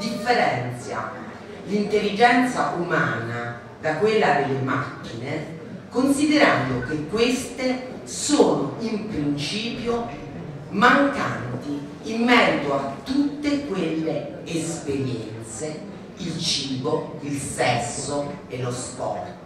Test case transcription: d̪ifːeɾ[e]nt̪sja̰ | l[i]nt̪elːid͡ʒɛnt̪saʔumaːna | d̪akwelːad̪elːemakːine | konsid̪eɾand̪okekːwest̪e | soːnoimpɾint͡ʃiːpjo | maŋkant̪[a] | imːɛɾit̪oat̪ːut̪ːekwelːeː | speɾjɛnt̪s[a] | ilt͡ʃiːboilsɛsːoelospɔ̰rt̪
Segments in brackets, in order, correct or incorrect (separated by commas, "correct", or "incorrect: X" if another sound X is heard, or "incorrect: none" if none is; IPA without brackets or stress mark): incorrect: ɛ, correct, incorrect: i, incorrect: e